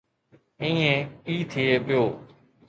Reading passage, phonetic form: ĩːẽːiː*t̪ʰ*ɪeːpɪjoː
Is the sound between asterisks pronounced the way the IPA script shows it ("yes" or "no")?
yes